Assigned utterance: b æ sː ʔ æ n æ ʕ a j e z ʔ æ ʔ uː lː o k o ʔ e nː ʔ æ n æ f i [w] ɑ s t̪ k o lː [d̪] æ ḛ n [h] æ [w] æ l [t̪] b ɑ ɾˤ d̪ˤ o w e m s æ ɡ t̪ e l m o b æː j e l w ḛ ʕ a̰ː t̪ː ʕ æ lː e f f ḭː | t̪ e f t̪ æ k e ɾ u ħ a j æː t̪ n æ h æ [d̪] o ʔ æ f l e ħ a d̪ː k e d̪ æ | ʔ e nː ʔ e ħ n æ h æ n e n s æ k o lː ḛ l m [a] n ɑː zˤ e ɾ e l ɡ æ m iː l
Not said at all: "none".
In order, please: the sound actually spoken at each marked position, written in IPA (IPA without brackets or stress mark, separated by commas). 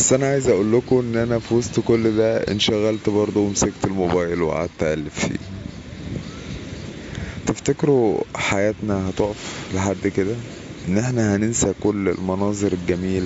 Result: w, d̪, ʃ, ɣ, t̪, t̪, ɑ